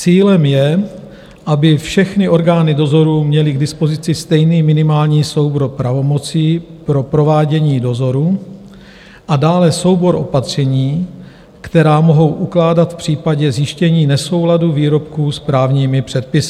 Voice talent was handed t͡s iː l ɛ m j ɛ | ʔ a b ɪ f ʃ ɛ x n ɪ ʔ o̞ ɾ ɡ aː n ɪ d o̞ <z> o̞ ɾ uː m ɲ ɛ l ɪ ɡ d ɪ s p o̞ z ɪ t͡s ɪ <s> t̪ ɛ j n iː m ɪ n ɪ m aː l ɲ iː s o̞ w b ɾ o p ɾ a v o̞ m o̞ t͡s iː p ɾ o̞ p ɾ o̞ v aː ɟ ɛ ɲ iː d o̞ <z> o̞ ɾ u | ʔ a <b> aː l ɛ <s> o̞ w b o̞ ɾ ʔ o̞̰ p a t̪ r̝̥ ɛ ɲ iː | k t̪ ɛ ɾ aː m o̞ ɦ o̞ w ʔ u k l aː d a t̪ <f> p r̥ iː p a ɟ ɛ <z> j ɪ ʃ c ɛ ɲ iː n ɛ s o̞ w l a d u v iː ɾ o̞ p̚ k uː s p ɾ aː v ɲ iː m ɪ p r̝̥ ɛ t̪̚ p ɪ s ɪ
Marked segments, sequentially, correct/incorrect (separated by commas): correct, correct, correct, incorrect, correct, correct, correct